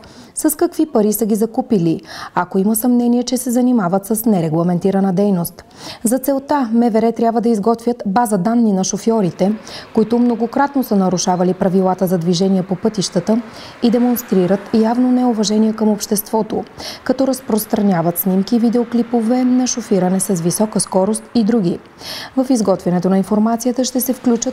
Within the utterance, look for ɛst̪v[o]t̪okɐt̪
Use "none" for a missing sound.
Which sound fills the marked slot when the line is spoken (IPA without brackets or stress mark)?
ɔ